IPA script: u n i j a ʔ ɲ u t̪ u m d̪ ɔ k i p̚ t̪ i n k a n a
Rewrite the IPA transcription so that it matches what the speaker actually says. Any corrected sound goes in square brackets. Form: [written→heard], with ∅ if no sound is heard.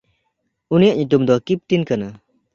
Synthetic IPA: u n i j a ʔ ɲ u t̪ u m d̪ ɔ k i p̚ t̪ i n k a n a